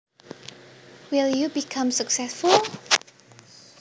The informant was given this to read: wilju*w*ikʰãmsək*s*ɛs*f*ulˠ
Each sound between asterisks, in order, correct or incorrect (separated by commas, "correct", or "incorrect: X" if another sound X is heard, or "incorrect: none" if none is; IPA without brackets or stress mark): incorrect: b, correct, correct